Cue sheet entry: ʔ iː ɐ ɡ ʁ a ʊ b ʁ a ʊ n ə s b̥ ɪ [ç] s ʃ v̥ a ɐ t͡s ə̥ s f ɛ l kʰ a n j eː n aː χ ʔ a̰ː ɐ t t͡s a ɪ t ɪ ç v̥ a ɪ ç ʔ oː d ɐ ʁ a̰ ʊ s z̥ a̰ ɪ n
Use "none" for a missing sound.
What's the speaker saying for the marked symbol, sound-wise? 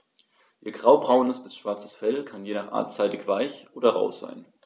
none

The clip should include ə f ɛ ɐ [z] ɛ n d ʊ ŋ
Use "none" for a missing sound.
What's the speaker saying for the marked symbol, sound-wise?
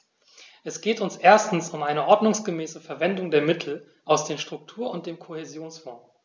v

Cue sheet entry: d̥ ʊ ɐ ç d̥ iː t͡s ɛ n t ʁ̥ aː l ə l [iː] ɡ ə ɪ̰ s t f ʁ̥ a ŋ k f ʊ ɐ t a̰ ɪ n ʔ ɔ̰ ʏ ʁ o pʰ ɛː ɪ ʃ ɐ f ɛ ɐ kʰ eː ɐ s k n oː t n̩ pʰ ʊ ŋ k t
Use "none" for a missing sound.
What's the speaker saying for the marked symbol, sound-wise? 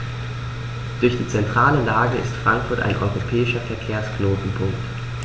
aː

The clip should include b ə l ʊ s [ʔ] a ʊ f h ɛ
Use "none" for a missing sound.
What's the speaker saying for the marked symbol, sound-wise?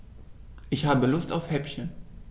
t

